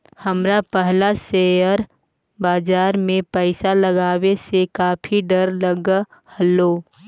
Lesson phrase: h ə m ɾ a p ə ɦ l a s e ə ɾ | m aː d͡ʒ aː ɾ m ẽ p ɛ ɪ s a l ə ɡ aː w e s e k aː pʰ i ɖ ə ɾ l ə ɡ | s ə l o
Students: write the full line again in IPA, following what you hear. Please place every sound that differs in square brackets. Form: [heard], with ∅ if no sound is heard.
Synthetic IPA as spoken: h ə m ɾ a p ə ɦ l a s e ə ɾ | [b] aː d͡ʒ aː ɾ m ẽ p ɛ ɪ s a l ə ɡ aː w e s e k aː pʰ i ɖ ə ɾ l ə ɡ | [h] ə l o